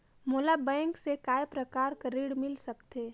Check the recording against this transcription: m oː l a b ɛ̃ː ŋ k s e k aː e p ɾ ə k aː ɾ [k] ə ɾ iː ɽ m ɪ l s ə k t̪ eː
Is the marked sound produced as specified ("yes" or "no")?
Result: yes